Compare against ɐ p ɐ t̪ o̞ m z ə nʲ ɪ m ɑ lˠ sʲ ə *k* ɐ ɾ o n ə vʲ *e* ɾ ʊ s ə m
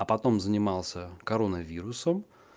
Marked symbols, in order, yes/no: yes, no

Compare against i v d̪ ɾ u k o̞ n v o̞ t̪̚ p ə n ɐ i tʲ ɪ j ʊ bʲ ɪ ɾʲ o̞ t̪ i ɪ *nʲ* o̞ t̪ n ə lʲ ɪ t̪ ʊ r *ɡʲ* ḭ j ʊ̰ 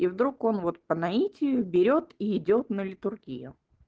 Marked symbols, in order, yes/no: no, yes

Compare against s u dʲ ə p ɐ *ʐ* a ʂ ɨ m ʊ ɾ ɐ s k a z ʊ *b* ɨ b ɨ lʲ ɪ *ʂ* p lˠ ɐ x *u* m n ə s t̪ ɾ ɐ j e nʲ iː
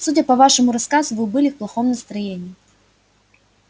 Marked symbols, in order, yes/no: no, no, no, no

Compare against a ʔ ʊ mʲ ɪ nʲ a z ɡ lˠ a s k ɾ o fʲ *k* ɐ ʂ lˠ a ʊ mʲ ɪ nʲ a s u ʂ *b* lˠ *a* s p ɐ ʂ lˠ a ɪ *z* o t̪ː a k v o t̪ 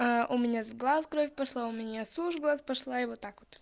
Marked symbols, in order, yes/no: no, no, yes, no

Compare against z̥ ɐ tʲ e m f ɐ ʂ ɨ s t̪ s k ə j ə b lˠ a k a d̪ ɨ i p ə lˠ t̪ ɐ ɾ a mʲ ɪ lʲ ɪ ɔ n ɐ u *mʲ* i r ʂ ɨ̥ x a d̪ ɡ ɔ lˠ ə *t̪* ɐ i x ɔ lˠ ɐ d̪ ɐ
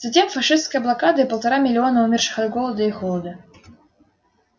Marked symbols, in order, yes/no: yes, no

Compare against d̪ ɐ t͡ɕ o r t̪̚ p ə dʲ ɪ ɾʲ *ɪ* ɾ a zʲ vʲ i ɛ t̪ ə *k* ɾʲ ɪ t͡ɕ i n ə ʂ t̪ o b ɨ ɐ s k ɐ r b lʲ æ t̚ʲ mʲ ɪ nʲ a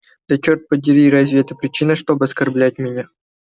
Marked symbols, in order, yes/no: no, no

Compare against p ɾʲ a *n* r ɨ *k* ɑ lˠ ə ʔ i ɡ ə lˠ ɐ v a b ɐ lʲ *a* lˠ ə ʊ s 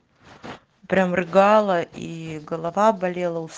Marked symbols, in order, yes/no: no, no, no

